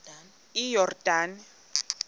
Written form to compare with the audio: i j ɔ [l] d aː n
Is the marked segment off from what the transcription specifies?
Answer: yes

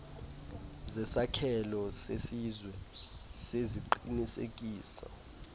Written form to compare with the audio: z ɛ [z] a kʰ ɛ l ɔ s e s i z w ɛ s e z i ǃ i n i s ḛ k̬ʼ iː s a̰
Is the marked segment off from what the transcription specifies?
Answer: yes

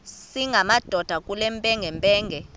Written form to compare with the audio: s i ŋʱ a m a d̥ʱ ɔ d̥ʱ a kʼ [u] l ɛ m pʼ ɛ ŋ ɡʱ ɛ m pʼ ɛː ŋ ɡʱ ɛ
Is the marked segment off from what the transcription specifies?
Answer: no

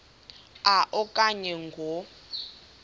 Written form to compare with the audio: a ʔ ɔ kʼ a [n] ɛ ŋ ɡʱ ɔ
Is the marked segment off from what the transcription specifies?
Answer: yes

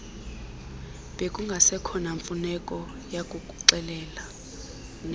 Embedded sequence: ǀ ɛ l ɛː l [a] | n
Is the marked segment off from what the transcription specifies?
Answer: no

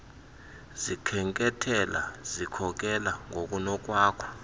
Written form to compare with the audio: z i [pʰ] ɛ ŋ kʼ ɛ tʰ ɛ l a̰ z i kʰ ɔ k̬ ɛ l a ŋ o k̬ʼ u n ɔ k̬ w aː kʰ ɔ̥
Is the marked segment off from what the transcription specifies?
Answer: yes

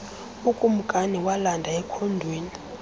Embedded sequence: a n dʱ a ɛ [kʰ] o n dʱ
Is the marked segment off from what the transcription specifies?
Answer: no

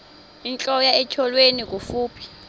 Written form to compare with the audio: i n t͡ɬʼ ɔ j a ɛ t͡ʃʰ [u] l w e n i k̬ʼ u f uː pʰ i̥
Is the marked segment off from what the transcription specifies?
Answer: yes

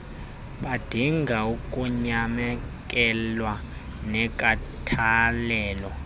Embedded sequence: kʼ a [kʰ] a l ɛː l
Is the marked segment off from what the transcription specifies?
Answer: yes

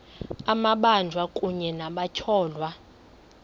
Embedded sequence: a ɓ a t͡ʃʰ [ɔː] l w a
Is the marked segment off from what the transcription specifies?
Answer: no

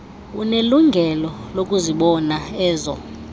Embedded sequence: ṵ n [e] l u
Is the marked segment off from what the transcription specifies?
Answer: no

